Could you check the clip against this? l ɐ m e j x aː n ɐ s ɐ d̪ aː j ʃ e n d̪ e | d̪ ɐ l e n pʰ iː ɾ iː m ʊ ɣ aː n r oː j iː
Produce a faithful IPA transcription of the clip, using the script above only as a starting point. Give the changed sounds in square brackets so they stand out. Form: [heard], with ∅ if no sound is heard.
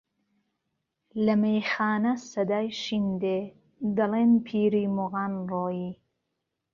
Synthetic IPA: l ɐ m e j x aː n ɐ s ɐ d̪ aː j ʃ [i] n d̪ e | d̪ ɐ l e n pʰ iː ɾ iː m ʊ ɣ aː n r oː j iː